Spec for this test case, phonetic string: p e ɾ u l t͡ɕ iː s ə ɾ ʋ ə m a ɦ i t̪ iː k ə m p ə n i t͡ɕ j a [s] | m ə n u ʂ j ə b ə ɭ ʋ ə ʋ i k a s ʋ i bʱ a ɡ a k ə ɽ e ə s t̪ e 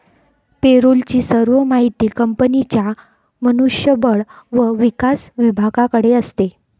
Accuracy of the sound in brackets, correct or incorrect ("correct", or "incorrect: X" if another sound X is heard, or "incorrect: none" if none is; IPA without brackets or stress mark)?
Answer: incorrect: none